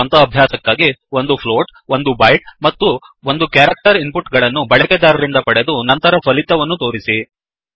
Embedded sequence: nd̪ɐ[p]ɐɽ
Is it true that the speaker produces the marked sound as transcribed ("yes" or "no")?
yes